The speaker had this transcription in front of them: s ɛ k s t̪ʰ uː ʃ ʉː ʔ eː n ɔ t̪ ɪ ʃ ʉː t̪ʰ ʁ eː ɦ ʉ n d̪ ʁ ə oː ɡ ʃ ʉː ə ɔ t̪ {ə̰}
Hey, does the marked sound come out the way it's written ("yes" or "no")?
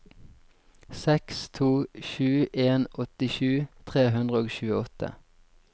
yes